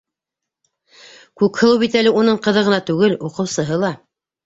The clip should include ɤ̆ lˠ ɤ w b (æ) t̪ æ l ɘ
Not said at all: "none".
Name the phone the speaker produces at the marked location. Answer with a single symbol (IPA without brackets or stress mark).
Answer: i